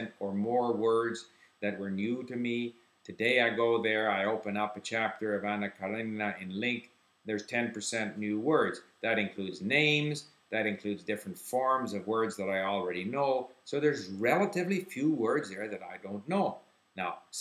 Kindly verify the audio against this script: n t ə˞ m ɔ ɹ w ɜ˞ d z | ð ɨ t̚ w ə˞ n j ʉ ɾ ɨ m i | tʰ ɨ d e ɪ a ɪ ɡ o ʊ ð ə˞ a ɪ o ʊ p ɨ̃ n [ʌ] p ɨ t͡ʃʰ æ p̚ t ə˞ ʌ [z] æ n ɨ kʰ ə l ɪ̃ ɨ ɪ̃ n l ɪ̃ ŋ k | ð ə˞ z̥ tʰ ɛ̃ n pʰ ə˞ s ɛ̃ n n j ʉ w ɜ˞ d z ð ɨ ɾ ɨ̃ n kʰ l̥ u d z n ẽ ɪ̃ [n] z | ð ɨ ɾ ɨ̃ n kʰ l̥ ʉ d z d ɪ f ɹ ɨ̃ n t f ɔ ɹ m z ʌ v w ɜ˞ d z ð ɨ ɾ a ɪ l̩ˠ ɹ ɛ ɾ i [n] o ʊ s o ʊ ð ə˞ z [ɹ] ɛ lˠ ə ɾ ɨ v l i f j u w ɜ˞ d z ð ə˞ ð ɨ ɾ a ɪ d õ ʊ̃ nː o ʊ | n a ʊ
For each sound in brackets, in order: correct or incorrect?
correct, incorrect, incorrect, correct, correct

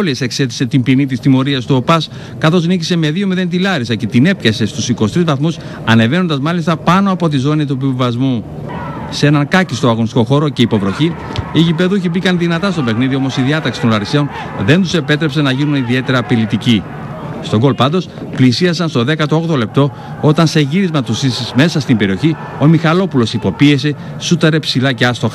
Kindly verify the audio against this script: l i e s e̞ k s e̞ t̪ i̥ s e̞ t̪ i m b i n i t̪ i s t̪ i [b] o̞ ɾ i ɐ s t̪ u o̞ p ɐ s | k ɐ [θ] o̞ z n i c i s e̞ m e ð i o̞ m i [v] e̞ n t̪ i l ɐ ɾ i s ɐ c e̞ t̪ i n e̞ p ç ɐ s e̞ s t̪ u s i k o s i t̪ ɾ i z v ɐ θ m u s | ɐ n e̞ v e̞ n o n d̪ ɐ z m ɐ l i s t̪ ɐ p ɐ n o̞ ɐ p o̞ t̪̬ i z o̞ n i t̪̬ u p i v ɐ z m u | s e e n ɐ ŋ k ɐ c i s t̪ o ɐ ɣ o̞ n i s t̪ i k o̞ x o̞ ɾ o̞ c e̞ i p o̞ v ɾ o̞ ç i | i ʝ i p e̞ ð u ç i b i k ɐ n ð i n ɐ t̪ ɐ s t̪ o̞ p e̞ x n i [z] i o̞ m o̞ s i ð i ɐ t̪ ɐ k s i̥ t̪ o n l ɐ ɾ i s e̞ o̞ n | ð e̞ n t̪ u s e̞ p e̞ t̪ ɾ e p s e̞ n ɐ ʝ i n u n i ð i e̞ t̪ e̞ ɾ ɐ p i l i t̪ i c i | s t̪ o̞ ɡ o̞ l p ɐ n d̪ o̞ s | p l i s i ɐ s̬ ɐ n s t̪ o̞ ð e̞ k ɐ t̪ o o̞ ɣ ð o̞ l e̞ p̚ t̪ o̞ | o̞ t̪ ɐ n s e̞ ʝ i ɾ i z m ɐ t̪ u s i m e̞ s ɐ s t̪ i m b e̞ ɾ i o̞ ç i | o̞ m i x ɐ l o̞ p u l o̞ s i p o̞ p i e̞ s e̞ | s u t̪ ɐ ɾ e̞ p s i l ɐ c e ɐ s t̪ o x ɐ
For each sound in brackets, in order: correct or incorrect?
incorrect, correct, incorrect, incorrect

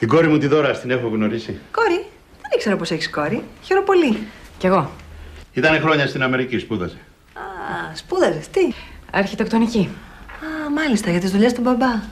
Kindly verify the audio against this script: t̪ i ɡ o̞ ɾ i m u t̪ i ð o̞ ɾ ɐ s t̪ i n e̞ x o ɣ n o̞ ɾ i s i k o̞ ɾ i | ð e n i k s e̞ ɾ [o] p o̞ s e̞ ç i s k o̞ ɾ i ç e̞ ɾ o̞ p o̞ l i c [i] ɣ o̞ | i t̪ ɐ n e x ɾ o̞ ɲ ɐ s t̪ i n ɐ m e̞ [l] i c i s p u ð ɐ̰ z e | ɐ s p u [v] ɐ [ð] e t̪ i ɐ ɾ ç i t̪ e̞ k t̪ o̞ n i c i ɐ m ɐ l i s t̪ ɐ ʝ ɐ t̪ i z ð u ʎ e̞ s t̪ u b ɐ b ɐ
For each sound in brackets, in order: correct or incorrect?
correct, incorrect, incorrect, incorrect, incorrect

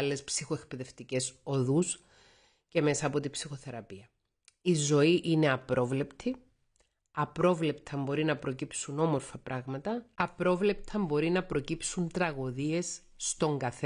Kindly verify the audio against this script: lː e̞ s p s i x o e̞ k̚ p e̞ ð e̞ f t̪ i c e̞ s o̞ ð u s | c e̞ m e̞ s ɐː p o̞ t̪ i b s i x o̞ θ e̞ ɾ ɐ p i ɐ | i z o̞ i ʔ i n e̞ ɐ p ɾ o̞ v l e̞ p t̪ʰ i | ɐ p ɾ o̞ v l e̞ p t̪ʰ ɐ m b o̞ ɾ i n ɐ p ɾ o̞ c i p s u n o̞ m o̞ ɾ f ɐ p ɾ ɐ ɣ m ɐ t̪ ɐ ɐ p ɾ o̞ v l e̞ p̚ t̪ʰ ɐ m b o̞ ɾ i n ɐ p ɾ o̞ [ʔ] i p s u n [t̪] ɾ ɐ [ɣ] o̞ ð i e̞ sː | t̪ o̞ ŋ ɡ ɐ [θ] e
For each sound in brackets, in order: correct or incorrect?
incorrect, correct, correct, correct

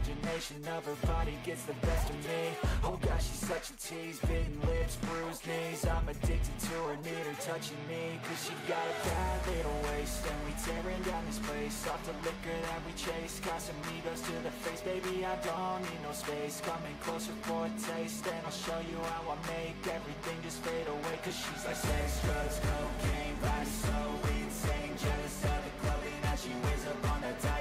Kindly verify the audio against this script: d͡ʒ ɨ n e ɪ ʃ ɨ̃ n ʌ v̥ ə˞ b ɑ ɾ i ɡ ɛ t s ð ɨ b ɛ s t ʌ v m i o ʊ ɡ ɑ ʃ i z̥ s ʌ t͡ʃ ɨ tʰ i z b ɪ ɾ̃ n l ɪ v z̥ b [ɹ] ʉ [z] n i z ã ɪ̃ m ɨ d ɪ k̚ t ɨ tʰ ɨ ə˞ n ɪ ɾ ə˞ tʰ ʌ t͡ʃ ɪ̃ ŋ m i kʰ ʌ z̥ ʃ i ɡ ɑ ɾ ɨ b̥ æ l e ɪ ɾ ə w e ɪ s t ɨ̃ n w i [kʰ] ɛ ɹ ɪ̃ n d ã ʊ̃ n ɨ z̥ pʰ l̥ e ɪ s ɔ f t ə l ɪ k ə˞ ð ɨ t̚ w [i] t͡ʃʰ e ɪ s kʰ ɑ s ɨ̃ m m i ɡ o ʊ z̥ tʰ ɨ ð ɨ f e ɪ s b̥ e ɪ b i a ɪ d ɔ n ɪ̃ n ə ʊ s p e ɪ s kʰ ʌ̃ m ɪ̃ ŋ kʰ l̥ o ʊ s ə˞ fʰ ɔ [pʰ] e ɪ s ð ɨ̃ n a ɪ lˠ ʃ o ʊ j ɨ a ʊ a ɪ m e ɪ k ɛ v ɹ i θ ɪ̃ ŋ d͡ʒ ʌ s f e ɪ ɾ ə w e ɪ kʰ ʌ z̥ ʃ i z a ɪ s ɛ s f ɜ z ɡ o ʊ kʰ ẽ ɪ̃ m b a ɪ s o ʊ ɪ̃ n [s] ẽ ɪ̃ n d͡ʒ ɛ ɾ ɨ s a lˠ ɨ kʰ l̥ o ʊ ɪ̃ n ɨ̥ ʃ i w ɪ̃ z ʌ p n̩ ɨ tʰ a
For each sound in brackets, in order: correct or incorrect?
correct, correct, incorrect, correct, incorrect, correct

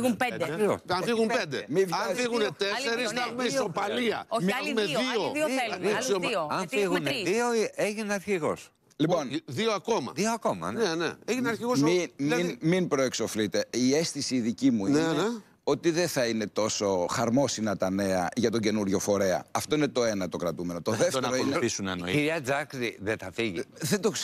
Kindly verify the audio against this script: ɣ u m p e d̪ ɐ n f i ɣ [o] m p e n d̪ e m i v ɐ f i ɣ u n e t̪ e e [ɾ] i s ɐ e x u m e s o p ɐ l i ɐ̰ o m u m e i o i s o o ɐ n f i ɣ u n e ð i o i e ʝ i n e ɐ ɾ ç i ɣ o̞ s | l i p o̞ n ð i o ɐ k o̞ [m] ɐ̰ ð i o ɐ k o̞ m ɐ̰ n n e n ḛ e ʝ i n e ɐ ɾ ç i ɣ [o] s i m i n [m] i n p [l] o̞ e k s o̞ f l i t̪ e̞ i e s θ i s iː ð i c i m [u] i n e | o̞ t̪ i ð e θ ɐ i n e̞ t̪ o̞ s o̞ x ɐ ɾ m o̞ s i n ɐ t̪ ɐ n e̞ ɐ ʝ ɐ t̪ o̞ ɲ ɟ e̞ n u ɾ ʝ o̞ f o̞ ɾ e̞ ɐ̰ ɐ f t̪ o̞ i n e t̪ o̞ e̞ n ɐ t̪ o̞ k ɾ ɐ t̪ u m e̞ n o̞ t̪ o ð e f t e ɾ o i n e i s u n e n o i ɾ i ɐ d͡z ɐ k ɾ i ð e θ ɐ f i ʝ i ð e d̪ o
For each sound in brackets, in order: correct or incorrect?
incorrect, correct, correct, correct, correct, incorrect, correct

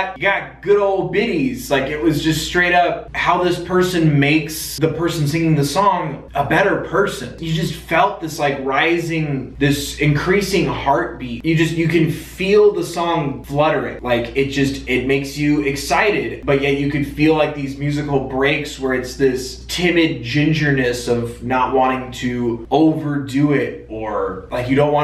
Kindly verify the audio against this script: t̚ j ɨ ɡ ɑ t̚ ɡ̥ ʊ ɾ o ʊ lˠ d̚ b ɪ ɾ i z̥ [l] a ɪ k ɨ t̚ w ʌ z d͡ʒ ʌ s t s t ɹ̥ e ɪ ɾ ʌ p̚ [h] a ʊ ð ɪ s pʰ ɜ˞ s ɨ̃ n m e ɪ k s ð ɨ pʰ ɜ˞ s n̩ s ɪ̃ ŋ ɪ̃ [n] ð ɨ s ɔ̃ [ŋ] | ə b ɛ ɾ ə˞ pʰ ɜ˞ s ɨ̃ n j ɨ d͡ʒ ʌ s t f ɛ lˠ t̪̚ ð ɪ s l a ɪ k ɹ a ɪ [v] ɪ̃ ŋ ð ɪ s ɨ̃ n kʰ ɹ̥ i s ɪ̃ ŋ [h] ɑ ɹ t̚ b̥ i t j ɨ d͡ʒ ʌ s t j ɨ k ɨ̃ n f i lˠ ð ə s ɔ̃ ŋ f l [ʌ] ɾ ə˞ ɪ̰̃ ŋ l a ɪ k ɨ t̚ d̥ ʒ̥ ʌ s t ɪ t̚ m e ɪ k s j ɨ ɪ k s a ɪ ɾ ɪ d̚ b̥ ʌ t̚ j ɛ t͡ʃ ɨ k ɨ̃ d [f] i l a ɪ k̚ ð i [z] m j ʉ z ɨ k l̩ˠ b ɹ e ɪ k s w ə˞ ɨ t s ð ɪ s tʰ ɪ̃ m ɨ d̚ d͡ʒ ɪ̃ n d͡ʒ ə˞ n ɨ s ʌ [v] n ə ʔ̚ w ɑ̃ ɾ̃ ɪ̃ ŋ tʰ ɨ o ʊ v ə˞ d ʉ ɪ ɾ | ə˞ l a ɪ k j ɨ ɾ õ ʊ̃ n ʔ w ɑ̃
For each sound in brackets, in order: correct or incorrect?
correct, correct, incorrect, correct, incorrect, correct, correct, correct, correct, correct

